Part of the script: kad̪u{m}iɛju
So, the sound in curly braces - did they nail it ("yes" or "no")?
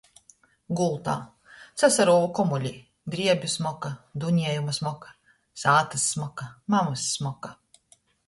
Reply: no